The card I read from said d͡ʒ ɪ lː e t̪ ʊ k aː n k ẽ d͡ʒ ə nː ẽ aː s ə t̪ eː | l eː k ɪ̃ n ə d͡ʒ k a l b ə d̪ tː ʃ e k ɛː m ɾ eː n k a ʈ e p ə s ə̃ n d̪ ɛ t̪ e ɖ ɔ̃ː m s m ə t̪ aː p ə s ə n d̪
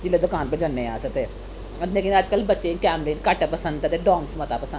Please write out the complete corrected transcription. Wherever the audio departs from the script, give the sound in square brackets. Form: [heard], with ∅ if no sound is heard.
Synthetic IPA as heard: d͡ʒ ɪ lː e [d̪] ʊ k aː n [p] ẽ d͡ʒ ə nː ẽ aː s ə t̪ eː | l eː k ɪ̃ n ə d͡ʒ k [ə] l b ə [∅] tː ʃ e k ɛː m ɾ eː n k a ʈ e p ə s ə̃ n d̪ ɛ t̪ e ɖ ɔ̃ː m s m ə t̪ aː p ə s ə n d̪